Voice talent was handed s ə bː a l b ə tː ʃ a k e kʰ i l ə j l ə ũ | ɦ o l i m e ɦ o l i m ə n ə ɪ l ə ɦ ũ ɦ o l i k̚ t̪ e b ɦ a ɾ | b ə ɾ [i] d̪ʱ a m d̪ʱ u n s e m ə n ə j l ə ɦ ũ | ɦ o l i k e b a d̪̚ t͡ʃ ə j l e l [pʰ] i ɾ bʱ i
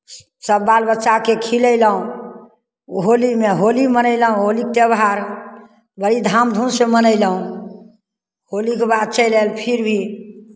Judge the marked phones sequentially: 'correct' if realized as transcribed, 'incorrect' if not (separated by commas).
correct, correct